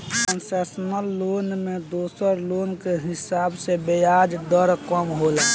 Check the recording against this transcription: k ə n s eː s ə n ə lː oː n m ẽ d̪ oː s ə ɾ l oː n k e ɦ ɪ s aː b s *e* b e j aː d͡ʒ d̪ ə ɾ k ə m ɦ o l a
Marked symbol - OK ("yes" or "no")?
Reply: yes